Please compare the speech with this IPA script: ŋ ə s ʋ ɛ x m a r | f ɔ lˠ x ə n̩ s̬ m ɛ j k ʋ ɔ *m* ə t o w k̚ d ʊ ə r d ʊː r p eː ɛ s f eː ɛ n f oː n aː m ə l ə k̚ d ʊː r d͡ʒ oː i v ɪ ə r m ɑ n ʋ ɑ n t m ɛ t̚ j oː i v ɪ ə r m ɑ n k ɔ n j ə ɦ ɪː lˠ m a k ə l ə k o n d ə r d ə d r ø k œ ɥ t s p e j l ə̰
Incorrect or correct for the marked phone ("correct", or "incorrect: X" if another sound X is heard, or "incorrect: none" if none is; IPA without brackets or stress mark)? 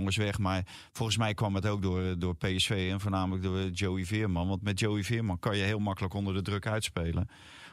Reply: correct